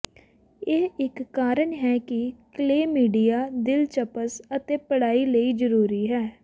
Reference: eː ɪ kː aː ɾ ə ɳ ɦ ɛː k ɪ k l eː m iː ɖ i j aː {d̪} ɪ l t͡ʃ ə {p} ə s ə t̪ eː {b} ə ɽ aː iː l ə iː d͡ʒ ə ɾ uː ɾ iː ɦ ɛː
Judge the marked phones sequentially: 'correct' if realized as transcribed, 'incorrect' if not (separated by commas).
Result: correct, correct, incorrect